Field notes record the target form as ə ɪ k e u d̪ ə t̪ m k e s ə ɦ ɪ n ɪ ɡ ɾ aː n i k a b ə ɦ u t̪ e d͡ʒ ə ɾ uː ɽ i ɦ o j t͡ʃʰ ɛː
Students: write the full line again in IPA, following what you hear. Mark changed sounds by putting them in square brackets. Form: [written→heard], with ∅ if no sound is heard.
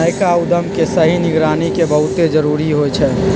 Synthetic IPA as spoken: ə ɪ k [e→a] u d̪ ə [t̪→∅] m k e s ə ɦ [ɪ→i] n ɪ ɡ ɾ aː n i k [a→e] b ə ɦ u t̪ e d͡ʒ ə ɾ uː [ɽ→ɾ] i ɦ o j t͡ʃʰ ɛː